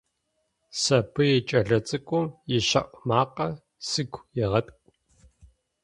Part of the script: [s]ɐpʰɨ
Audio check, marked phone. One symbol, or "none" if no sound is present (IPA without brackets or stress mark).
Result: s